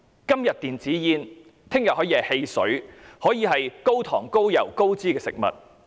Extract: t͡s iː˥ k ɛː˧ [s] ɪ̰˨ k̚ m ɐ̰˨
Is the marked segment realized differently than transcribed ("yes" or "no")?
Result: no